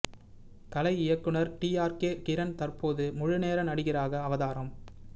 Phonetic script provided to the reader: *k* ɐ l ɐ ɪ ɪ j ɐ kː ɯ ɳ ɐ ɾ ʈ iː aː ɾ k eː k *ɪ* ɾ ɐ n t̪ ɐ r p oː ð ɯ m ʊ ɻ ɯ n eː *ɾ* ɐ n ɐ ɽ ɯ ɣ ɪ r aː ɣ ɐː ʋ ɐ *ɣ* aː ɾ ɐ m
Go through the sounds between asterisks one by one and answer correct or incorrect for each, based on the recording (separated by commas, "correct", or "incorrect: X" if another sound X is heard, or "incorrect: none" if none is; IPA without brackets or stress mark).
correct, correct, correct, incorrect: ð